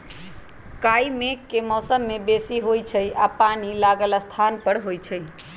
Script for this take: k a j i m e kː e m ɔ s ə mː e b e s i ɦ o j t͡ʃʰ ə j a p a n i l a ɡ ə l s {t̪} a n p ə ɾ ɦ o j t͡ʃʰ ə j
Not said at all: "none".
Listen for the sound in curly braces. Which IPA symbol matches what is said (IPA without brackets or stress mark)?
t̪ʰ